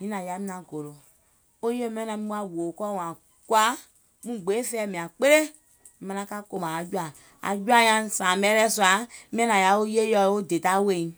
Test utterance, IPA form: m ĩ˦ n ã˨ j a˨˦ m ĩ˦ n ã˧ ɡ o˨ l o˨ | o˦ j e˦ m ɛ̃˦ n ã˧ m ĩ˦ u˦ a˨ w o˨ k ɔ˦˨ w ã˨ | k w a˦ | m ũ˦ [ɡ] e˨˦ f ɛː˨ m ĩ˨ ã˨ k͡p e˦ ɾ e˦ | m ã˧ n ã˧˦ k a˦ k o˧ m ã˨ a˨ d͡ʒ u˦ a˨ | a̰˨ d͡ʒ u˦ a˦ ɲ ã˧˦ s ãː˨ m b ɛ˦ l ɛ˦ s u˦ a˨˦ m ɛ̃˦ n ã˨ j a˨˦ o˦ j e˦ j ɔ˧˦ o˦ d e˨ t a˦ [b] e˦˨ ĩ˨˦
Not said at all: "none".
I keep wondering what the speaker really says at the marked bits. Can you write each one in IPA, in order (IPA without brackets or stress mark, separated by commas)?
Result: ɡ͡b, w